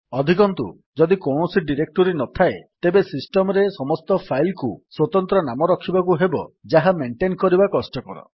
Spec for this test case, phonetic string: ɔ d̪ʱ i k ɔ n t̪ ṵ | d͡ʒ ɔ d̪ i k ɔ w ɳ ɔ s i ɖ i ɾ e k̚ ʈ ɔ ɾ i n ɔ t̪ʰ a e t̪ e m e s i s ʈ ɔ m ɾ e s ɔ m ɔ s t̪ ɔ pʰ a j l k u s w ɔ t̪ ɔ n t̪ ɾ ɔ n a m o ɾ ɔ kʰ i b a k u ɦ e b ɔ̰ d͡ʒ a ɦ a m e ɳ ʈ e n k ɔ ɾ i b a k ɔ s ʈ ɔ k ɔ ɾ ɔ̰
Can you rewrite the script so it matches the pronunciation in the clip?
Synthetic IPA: ɔ d̪ʱ i k ɔ n t̪ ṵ | d͡ʒ ɔ d̪ i k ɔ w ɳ ɔ s i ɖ i ɾ e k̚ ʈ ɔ ɾ i n ɔ t̪ʰ a e t̪ e b e s i s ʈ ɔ m ɾ e s ɔ m ɔ s t̪ ɔ pʰ a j l k u s w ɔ t̪ ɔ n t̪ ɾ ɔ n a m ɔ ɾ ɔ kʰ i b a k u ɦ e b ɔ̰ d͡ʒ a ɦ a m e ɳ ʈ e n k ɔ ɾ i b a k ɔ s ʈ ɔ k ɔ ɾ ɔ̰

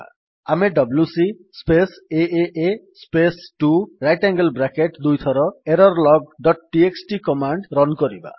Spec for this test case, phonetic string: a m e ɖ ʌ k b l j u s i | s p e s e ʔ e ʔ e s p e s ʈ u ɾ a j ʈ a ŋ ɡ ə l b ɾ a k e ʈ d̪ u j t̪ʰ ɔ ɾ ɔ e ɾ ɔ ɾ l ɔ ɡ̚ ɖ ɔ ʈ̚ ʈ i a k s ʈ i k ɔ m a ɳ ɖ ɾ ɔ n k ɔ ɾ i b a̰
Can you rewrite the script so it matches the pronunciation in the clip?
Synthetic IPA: a m e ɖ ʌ b l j u s i | s p e s e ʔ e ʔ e s p e s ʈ u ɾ a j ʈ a ŋ ɡ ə l b ɾ a k e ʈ d̪ u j t̪ʰ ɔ ɾ ɔ e ɾ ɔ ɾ l ɔ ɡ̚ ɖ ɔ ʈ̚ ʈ i e k s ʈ i k ɔ m a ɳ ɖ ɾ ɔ n k ɔ ɾ i b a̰

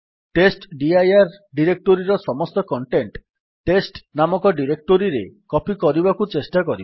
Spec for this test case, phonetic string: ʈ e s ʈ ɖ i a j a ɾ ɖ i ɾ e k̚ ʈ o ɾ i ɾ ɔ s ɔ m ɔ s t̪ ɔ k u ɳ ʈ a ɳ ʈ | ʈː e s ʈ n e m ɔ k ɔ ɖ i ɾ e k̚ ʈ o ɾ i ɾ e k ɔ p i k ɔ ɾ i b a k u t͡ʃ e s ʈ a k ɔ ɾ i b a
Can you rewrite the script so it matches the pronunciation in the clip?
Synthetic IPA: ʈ e s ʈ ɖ i a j a ɾ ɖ i ɾ e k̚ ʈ o ɾ i ɾ ɔ s ɔ m ɔ s t̪ ɔ k ɔ ɳ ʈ e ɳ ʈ | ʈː e s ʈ n a m ɔ k ɔ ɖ i ɾ e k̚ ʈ o ɾ i ɾ e k ɔ p i k ɔ ɾ i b a k u t͡ʃ e s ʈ a k ɔ ɾ i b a

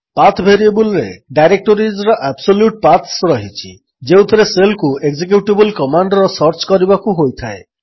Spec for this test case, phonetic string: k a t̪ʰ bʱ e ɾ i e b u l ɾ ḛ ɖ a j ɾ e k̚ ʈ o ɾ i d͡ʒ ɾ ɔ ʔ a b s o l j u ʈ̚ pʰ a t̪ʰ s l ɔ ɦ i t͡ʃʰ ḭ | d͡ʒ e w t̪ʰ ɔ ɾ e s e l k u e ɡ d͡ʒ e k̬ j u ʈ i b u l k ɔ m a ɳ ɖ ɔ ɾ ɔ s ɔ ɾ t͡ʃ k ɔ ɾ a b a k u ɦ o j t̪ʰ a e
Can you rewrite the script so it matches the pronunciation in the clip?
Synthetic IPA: p a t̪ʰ bʱ e ɾ i e b u l ɾ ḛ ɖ a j ɾ e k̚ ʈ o ɾ i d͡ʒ ɾ ɔ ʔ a b s o l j u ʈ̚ p a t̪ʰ s ɾ ɔ ɦ i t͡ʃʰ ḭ | d͡ʒ e w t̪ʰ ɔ ɾ e s e l k u e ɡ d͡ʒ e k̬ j u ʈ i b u l k ɔ m a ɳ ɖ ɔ ɾ ɔ s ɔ ɾ t͡ʃ k ɔ ɾ i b a k u ɦ o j t̪ʰ a e

